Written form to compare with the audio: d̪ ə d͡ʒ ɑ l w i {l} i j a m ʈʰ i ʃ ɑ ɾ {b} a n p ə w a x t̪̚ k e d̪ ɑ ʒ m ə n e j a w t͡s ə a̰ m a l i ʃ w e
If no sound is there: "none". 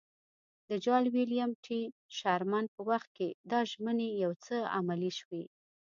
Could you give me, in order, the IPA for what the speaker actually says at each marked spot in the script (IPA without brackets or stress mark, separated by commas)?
l, m